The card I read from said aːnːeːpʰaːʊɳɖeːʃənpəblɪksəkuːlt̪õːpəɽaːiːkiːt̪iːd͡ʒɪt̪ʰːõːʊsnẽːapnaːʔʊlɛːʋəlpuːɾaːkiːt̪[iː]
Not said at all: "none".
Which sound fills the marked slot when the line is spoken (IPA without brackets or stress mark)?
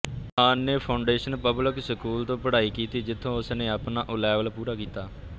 aː